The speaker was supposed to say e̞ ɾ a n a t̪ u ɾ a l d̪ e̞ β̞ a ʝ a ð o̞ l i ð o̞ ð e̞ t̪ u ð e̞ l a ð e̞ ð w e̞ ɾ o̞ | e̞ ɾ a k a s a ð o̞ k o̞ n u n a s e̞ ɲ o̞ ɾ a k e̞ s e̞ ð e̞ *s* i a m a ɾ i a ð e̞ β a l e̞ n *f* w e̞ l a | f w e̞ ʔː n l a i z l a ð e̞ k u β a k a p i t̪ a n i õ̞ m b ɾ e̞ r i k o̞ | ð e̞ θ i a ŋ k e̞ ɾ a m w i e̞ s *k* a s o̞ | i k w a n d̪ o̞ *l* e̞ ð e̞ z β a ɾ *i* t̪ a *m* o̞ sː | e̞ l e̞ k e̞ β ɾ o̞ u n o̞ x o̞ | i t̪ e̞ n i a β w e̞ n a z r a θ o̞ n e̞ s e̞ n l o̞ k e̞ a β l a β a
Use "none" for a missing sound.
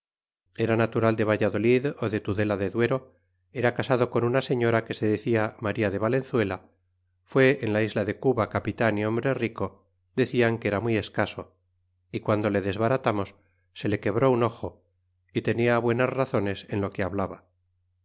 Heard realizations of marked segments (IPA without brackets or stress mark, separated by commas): θ, θ, k, l, a, m